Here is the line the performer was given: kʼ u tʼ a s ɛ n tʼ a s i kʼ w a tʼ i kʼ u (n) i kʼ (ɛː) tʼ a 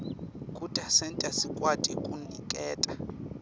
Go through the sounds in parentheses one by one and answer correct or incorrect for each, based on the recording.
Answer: correct, correct

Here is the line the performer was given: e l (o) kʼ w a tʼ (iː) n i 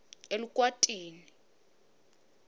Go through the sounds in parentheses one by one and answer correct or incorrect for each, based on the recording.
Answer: incorrect: u, correct

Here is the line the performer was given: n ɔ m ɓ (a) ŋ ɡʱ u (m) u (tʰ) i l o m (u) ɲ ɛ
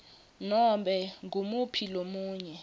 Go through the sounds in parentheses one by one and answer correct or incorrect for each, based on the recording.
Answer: incorrect: ɛ, correct, incorrect: pʰ, incorrect: uː

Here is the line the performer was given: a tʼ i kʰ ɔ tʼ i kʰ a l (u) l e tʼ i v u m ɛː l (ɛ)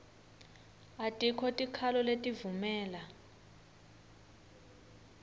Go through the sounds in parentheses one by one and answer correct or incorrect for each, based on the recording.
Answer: incorrect: ɔ, incorrect: a

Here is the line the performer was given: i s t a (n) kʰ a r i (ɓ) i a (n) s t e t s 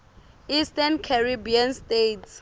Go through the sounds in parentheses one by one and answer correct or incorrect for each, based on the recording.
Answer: correct, incorrect: b, correct

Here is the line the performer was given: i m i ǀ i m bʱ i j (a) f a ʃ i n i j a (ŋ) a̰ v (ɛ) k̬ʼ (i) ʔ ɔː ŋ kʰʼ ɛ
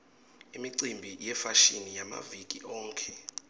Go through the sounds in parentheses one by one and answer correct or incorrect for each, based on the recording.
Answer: incorrect: ɛ, incorrect: m, incorrect: i, correct

